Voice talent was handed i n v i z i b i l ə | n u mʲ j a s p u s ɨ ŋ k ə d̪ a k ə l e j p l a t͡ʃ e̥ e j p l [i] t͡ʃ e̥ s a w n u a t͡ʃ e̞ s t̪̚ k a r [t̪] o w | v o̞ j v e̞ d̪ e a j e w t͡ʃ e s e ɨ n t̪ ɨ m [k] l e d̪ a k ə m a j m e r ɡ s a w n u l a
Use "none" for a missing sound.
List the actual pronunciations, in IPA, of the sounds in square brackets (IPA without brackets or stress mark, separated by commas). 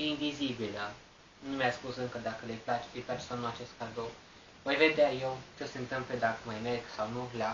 a, d̪, p